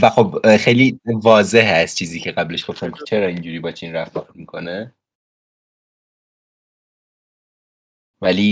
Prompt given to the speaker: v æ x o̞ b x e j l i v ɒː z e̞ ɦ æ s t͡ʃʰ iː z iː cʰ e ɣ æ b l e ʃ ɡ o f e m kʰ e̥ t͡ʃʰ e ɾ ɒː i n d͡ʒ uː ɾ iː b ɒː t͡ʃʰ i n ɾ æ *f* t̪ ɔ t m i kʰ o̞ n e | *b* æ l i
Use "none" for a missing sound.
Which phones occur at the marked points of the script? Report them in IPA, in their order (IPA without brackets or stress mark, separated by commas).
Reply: f, v